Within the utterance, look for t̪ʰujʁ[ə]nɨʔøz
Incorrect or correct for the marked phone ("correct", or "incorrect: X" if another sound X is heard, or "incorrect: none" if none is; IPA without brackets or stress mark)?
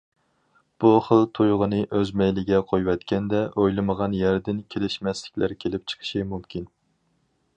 correct